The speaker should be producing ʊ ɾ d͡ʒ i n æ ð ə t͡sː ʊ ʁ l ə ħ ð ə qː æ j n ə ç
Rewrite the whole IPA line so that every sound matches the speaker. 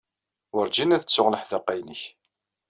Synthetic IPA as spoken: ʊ ɾ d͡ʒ i n æ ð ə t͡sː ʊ ʁ l ə ħ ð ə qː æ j n ə ç